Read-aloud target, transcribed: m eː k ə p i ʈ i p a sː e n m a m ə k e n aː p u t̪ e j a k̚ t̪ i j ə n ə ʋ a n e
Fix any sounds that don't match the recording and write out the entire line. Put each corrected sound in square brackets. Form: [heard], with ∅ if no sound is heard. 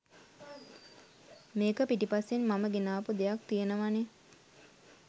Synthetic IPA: m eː k ə p i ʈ i p a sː e n m a m ə [ɡ] e n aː p u [d̪] e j a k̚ t̪ i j ə n ə ʋ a n e